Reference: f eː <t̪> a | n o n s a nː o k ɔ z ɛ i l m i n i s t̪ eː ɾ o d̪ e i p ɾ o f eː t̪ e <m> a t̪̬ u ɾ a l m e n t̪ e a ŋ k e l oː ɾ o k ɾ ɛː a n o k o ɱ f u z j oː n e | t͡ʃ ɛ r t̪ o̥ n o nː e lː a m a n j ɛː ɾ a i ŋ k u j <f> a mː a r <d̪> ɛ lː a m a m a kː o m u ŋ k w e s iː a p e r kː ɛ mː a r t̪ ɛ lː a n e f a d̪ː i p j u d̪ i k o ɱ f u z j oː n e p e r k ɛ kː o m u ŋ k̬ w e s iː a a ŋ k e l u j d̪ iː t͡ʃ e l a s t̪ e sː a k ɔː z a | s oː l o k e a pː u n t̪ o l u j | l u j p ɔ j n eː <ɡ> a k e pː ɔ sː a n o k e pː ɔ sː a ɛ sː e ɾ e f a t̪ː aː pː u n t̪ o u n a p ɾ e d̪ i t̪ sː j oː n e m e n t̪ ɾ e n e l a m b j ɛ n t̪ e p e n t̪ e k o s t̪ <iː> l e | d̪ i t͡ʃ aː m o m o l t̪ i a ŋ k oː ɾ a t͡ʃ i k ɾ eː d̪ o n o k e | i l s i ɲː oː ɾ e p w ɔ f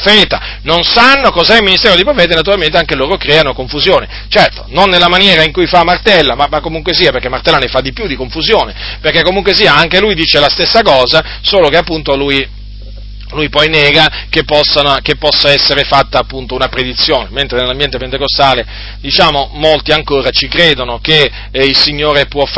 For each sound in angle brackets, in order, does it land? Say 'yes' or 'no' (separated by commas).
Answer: yes, no, yes, no, yes, no